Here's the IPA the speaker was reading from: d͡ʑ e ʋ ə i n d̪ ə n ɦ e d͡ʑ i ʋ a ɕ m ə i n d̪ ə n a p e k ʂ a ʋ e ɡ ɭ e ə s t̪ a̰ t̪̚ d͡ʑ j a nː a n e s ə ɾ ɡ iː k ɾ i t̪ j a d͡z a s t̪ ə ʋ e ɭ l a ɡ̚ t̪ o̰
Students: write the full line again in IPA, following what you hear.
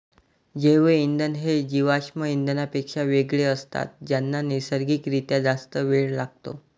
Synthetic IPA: d͡ʑ e ʋ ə i n d̪ ə n ɦ e d͡ʑ i ʋ a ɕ m ə i n d̪ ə n a p e k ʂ a ʋ e ɡ ɭ e ə s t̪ a̰ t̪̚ d͡ʑ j a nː a n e s ə ɾ ɡ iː k ɾ i t̪ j a d͡z a s t̪ ə ʋ e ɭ l a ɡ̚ t̪ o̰